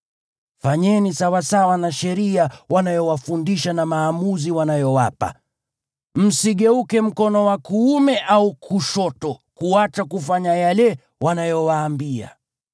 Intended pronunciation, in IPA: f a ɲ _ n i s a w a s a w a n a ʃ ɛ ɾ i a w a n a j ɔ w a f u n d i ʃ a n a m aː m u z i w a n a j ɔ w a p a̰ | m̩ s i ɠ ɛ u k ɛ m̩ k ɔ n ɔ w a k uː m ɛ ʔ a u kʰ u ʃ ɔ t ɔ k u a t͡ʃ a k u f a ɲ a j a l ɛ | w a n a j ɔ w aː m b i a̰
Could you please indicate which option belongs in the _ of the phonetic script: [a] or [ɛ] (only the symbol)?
ɛ